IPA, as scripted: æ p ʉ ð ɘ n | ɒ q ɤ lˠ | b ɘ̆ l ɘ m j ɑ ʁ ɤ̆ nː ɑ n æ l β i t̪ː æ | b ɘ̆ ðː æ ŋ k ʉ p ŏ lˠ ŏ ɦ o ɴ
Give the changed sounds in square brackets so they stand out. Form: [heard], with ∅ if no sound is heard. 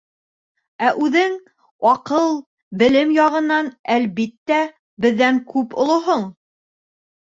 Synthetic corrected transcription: æ [ʔ] ʉ ð ɘ [ŋ] | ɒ q ɤ lˠ | b ɘ̆ l ɘ m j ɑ ʁ ɤ̆ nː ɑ n æ l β i t̪ː æ | b ɘ̆ ðː æ ŋ k ʉ p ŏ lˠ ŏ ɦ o ɴ